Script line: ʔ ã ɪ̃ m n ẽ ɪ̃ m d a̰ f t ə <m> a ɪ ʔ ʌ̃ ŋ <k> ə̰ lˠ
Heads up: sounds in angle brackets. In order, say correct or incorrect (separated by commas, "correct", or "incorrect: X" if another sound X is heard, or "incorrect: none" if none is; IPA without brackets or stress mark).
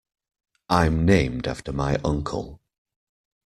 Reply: correct, incorrect: kʰ